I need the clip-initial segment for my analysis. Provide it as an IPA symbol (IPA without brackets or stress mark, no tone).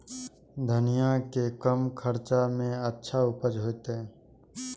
d̪ʱ